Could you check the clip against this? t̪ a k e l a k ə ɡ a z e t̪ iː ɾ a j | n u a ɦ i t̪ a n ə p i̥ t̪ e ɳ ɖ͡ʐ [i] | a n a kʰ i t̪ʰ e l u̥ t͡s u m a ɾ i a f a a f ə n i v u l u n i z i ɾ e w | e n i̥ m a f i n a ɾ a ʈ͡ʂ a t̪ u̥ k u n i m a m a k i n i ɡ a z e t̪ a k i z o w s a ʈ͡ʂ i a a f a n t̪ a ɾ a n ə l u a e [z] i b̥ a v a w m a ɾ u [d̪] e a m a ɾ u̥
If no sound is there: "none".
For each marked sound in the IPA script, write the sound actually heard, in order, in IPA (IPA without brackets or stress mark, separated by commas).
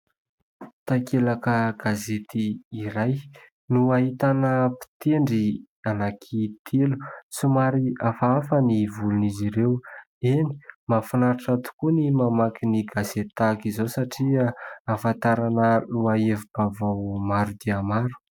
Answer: i, v, d̪